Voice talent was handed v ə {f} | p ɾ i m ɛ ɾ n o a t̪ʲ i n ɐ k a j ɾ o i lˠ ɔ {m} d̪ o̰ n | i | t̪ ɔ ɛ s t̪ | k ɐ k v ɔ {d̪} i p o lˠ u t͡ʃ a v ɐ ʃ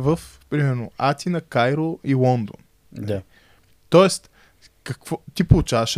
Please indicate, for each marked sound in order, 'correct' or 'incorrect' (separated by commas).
correct, incorrect, incorrect